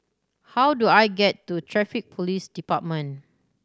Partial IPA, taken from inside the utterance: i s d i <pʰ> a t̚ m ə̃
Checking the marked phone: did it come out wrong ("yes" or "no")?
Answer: yes